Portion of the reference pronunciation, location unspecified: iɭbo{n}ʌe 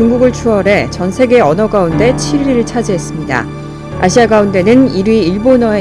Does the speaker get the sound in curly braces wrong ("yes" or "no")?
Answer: no